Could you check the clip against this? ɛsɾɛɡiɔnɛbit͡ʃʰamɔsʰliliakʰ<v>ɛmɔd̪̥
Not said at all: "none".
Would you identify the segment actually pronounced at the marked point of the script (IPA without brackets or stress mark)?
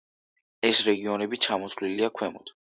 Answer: w